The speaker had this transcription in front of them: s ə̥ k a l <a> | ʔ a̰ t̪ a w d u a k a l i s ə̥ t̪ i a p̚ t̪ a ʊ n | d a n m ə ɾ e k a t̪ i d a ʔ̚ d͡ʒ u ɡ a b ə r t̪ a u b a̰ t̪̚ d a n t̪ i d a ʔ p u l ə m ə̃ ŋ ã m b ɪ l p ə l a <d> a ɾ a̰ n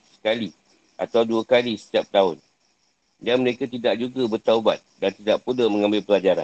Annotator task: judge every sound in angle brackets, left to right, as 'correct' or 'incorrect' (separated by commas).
incorrect, incorrect